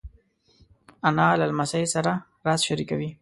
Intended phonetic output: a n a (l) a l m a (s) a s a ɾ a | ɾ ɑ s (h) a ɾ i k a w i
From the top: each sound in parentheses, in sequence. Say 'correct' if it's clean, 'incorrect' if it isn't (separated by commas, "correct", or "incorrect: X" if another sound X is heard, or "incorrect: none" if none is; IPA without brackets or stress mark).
correct, correct, incorrect: ʃ